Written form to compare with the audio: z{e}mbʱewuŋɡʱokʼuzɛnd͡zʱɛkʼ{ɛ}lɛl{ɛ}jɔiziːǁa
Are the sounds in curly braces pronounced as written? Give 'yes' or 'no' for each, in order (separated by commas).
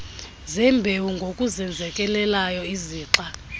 no, yes, no